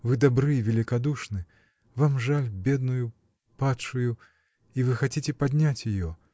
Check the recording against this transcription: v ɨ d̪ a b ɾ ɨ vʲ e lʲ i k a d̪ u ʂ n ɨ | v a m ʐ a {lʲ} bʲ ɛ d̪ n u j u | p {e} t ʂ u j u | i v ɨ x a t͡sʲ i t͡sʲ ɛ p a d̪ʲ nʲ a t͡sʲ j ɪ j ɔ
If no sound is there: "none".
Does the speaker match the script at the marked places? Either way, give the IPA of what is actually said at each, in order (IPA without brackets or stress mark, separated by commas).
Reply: lʲ, a